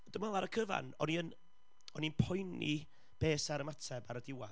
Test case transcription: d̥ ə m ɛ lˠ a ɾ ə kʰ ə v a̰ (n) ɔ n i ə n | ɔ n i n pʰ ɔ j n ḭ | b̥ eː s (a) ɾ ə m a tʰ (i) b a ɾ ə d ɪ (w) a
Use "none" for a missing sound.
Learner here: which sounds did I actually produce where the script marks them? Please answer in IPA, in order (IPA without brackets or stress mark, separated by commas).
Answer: n, a, ɛ, w